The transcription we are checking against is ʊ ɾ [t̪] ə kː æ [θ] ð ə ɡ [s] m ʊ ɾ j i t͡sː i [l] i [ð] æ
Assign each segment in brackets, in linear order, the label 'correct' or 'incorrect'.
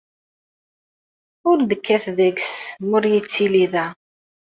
incorrect: d̪, correct, correct, correct, correct

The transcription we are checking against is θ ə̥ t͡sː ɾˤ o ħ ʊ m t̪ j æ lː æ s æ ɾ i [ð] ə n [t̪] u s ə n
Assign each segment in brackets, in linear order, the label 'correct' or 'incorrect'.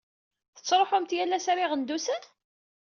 incorrect: ʁ, incorrect: d̪

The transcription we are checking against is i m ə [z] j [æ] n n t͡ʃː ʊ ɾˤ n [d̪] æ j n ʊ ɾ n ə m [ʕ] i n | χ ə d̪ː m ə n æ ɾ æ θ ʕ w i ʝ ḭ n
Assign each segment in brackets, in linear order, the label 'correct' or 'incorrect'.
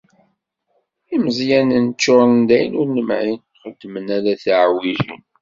correct, correct, correct, correct

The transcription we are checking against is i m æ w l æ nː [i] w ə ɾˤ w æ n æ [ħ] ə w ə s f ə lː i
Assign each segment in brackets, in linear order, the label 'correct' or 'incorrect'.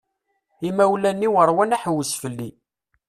correct, correct

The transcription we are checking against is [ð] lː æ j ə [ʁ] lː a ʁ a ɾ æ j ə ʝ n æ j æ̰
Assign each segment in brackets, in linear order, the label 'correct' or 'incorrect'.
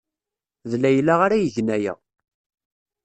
correct, incorrect: none

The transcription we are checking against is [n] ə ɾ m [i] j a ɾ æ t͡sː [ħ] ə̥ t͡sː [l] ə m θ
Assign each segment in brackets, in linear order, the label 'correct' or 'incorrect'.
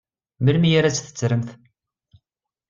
incorrect: m, correct, incorrect: θ, incorrect: ɾ

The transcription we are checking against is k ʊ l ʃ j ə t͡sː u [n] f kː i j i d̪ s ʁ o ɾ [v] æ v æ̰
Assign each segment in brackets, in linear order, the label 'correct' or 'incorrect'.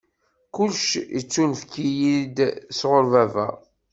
correct, correct

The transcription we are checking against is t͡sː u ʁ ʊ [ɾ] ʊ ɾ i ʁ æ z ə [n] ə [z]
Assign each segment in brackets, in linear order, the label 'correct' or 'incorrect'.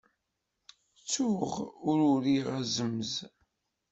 correct, incorrect: m, correct

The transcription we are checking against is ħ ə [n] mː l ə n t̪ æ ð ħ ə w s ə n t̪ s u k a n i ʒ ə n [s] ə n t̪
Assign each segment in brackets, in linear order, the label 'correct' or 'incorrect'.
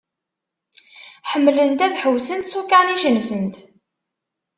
incorrect: none, correct

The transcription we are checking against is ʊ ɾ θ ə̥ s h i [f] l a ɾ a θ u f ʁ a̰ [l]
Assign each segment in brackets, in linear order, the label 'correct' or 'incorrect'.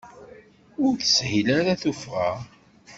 incorrect: none, incorrect: none

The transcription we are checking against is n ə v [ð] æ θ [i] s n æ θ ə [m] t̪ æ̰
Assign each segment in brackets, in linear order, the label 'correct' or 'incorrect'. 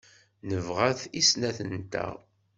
incorrect: ʁ, correct, incorrect: n

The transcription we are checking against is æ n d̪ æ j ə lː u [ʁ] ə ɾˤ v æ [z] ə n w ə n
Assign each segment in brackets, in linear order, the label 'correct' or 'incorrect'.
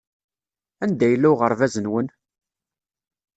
correct, correct

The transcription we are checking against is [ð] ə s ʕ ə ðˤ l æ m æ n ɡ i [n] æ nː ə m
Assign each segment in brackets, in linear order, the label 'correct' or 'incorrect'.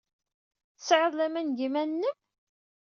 incorrect: θ, incorrect: m

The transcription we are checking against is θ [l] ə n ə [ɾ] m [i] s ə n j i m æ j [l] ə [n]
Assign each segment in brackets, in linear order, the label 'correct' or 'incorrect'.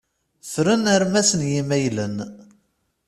incorrect: ɾ, correct, incorrect: æ, correct, correct

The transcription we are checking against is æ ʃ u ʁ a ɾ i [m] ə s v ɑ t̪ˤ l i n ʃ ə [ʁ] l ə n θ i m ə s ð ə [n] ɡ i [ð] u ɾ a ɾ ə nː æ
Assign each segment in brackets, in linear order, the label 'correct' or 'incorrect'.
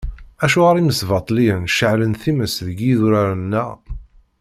correct, incorrect: ʕ, incorrect: none, correct

